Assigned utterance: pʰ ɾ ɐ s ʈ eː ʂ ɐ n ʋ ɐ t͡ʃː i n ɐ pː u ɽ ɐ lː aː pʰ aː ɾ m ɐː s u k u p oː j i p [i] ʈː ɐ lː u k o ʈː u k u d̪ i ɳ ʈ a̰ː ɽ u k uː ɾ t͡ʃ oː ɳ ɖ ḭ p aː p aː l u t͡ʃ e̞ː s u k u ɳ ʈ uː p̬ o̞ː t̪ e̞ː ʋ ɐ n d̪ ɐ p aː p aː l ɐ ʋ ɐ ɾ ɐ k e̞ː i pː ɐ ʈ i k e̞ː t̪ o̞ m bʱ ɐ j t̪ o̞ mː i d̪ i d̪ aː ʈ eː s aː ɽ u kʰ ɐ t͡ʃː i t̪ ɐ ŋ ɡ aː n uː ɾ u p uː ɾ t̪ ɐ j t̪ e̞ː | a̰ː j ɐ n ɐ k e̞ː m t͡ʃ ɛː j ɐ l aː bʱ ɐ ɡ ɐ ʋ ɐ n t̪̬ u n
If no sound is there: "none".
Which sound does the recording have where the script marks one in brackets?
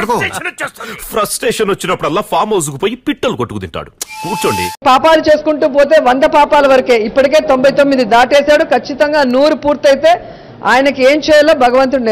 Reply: i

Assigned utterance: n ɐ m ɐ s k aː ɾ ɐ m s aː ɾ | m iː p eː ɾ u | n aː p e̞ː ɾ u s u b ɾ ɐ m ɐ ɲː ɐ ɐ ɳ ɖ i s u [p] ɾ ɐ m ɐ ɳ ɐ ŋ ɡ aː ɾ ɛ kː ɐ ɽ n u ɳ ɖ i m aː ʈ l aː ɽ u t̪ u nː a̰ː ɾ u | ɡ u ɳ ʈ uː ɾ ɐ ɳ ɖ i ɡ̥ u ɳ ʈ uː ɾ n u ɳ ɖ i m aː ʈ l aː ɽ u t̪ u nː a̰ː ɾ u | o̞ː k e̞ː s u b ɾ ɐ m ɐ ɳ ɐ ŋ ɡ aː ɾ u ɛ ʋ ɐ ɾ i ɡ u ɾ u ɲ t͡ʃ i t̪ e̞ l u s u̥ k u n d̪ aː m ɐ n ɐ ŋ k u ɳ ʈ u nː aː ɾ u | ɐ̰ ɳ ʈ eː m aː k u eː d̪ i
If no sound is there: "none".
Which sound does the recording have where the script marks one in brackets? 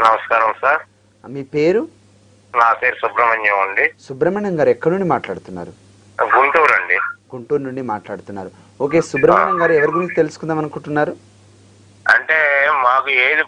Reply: b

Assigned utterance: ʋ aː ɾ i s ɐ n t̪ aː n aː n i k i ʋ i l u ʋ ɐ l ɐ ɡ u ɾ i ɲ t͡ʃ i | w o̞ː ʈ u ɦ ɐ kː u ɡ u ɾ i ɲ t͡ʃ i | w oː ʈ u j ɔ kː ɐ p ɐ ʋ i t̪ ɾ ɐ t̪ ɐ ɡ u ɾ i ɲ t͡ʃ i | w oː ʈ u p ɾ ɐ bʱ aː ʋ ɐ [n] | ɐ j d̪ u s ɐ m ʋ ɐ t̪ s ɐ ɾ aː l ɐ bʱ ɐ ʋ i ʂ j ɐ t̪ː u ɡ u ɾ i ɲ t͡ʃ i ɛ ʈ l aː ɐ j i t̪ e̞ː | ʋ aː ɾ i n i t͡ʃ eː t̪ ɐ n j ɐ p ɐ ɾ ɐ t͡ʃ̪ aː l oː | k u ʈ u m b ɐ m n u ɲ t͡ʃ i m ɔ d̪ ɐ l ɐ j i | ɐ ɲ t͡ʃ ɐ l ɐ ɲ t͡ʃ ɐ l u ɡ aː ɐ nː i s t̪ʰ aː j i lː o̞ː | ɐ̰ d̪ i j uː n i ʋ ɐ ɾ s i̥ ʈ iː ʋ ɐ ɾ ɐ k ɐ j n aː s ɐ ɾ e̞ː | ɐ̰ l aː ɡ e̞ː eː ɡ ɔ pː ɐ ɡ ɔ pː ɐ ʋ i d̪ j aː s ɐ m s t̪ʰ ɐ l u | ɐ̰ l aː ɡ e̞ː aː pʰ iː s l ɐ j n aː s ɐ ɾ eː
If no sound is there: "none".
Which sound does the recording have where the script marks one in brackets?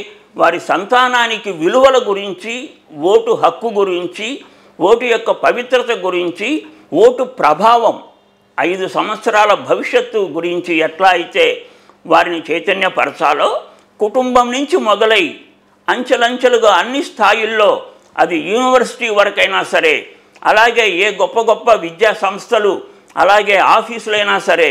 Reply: m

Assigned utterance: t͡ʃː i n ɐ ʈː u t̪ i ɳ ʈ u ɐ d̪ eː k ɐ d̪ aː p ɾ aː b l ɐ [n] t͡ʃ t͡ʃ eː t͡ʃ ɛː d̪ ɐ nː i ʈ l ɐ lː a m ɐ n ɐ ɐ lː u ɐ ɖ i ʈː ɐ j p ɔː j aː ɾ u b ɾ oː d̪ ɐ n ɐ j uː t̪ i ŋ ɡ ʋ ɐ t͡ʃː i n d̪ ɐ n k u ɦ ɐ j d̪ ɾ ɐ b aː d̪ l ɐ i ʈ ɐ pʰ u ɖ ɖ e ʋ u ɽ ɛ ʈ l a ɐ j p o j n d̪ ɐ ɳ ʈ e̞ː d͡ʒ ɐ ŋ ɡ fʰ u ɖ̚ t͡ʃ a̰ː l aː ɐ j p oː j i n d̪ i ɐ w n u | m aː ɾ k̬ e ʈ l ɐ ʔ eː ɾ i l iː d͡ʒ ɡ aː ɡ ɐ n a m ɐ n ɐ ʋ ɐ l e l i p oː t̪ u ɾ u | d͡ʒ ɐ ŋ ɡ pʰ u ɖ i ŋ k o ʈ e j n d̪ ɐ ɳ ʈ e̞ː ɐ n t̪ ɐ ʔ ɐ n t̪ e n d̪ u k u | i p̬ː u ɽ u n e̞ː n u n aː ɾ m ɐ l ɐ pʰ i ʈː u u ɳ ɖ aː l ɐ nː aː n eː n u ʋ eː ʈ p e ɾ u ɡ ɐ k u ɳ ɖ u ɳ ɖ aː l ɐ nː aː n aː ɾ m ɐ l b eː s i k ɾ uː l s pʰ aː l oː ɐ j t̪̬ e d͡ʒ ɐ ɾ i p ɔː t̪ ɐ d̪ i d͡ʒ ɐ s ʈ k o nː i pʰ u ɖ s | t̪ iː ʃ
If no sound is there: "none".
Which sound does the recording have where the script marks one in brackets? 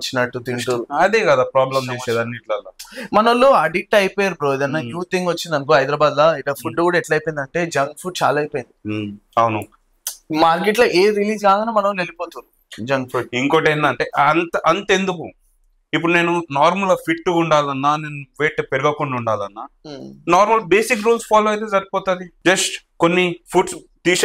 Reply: m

